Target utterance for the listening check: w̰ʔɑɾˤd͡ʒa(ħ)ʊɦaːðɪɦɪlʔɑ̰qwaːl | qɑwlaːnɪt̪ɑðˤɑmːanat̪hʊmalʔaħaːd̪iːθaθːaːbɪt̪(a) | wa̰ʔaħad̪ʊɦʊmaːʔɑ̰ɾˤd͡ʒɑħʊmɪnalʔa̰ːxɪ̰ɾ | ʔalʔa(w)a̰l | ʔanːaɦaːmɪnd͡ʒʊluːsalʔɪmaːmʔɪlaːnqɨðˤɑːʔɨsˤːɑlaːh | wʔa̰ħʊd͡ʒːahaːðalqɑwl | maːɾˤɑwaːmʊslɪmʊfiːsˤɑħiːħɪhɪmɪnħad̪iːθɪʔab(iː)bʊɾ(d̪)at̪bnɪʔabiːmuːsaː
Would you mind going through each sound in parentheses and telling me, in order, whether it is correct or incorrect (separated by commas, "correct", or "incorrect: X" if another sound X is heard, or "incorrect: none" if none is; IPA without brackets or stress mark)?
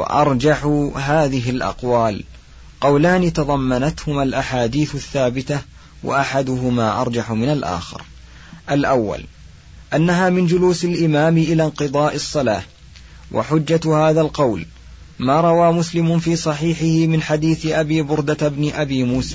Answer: correct, correct, incorrect: wː, correct, correct